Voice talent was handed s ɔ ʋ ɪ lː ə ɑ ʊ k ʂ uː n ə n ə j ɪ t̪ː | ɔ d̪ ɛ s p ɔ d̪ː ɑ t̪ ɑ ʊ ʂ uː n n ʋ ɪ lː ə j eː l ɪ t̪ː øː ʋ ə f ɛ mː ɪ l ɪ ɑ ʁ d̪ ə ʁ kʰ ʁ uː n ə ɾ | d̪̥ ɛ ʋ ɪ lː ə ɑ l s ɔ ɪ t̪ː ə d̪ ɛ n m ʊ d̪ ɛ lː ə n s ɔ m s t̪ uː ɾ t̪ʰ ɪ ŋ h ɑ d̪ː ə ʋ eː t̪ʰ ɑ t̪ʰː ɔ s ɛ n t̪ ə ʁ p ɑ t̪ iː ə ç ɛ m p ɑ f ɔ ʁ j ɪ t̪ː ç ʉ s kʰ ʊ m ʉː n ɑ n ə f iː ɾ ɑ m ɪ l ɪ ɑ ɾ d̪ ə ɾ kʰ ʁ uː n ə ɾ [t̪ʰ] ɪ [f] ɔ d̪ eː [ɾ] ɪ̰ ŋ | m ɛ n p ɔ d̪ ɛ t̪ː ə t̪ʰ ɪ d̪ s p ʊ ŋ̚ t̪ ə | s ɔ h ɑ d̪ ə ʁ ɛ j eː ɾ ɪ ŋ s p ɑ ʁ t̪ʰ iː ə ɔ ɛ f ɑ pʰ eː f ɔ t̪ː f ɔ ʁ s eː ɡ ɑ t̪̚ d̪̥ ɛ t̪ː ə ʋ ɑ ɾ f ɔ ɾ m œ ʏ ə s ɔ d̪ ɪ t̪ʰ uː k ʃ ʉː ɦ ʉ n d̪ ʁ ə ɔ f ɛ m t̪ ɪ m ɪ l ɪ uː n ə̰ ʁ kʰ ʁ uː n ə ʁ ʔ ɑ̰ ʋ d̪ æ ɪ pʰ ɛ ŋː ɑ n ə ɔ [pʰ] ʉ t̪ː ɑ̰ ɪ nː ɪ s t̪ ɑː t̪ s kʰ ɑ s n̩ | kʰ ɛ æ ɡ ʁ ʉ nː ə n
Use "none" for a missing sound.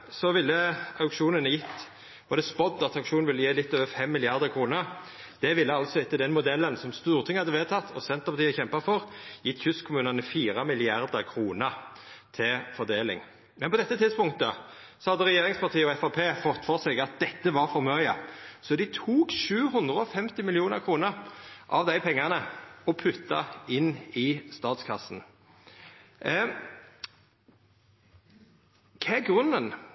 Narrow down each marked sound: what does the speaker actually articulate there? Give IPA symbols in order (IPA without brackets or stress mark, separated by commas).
t̪ʰ, f, l, pʰ